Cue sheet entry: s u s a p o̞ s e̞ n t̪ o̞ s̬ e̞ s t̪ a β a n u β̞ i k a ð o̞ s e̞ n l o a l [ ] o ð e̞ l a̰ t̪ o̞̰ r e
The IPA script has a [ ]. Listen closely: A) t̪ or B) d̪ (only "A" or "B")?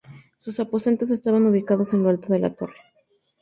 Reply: A